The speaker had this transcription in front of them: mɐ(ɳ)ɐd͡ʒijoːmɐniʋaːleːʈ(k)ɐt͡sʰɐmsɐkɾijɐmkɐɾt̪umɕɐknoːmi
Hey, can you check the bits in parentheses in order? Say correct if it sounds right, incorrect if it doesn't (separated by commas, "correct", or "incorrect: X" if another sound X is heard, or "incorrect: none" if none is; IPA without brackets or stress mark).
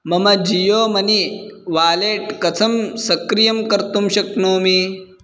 incorrect: m, correct